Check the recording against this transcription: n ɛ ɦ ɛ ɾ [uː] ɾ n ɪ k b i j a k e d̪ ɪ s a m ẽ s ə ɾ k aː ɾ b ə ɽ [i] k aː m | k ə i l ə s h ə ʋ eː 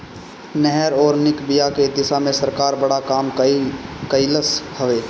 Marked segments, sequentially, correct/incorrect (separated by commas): incorrect, incorrect